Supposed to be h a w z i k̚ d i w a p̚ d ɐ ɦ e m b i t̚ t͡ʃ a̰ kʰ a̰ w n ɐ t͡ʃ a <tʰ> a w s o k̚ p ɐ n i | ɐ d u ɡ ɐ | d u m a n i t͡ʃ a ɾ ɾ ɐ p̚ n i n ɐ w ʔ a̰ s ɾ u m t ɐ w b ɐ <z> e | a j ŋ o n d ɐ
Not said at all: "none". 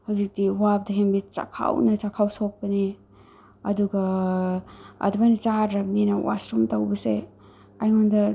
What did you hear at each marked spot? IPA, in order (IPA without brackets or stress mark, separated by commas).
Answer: kʰ, s